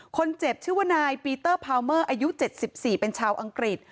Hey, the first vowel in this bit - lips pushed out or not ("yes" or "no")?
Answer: yes